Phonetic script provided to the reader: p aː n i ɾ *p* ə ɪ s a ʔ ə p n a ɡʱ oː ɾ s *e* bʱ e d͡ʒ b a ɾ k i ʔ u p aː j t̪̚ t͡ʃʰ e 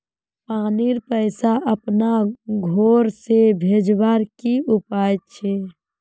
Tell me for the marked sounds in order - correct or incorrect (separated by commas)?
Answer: correct, correct